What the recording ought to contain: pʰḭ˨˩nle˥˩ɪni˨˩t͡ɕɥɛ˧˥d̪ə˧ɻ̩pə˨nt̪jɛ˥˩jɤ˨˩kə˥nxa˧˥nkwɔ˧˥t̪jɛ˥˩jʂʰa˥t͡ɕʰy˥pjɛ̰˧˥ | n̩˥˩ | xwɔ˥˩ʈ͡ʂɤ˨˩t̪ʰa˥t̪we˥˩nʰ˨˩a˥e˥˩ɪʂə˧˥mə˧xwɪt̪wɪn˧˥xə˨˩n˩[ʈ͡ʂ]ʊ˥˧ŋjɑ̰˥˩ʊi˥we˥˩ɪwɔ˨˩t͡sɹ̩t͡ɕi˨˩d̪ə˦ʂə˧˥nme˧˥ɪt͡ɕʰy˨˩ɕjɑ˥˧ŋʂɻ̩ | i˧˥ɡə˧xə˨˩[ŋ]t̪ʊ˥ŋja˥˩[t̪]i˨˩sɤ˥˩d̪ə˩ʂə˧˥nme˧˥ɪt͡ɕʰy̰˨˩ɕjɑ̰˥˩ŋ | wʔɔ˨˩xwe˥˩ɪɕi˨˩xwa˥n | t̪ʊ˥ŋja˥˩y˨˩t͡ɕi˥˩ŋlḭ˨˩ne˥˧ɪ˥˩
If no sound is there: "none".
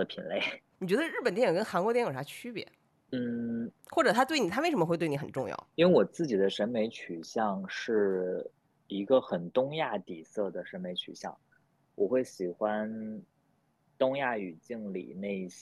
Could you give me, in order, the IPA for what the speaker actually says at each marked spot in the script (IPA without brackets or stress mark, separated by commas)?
ʈ͡ʂ, n, t̪